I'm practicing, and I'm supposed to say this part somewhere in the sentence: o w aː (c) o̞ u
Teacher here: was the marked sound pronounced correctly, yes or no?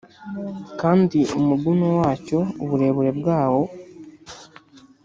yes